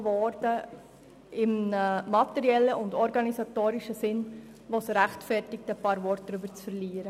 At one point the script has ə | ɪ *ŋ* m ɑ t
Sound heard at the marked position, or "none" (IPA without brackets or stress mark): m